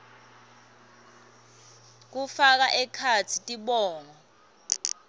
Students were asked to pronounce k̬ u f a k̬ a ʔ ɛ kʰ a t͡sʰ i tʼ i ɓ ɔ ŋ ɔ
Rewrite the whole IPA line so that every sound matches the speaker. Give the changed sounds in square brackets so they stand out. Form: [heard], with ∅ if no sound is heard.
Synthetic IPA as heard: k̬ u f a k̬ a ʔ ɛ kʰ a t͡sʰ i tʼ i ɓ [ɔː] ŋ ɔ